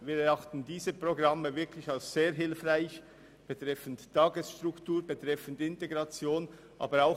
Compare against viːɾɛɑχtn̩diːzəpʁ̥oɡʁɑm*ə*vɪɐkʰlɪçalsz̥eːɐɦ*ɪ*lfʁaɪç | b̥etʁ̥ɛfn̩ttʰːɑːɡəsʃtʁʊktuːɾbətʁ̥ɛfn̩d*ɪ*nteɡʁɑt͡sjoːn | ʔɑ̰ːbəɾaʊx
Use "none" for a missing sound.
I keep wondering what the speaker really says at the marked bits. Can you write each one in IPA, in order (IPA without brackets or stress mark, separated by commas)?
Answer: ə, ɪ, ɪ